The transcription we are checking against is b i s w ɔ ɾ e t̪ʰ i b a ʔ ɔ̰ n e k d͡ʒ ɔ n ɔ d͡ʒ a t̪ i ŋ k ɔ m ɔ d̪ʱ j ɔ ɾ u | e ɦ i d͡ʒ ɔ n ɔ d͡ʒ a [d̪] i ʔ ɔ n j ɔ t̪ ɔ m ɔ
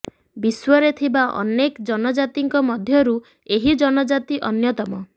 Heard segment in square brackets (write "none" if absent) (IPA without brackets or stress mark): t̪